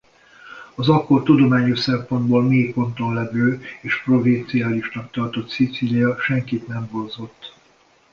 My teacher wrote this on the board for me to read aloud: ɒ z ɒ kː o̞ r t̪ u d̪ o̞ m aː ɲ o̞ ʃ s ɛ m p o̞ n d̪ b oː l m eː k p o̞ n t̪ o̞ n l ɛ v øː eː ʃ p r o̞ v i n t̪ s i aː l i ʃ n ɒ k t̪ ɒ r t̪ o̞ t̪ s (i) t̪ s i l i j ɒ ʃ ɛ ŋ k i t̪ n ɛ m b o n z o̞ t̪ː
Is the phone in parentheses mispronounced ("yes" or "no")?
no